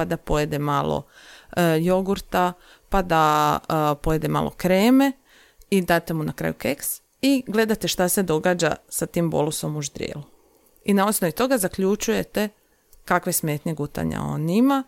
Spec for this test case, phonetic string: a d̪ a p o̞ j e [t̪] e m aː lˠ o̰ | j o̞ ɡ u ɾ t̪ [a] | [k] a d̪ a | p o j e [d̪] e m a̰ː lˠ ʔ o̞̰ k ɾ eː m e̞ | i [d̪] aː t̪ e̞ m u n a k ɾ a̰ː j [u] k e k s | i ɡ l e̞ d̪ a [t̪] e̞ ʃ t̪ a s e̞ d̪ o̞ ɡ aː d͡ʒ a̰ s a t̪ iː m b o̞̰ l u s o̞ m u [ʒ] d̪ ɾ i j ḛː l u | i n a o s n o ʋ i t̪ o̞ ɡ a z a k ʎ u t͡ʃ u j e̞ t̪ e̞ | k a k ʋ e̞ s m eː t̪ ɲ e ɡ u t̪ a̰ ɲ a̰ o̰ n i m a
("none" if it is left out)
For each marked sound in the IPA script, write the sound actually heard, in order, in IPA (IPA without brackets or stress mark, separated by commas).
d̪, a, p, d̪, d̪, u, t̪, ʒ